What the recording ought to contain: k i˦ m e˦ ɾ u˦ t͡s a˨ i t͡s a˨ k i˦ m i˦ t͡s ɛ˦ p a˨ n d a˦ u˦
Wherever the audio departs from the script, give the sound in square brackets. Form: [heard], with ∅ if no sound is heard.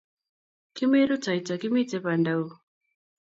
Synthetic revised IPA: k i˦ m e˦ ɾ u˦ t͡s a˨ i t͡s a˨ k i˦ m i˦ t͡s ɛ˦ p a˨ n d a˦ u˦